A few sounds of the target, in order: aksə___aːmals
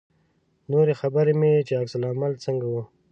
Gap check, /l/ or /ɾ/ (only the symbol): l